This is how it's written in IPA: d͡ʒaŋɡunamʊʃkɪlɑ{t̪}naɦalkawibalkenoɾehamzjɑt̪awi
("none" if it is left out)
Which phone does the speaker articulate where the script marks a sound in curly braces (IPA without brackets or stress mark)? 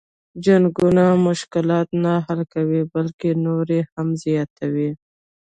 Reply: t̪